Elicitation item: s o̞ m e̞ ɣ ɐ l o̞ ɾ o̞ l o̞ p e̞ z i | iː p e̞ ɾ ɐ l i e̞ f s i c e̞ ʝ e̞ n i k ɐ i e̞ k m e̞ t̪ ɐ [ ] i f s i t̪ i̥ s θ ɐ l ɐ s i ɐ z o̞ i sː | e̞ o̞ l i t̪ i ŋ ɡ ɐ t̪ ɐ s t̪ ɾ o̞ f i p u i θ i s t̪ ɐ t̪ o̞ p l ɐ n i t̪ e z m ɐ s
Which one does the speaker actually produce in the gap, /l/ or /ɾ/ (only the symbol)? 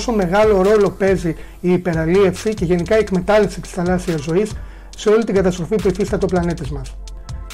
l